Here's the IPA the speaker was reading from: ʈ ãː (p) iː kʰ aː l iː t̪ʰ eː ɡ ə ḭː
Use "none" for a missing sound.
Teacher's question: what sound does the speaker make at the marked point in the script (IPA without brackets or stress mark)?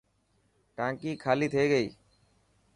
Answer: k